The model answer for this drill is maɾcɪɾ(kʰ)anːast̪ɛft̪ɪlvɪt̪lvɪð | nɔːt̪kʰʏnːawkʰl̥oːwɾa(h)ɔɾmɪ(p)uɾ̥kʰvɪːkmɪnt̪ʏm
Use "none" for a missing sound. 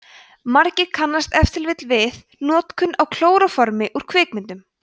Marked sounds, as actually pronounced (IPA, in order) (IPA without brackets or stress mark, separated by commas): kʰ, f, ʔ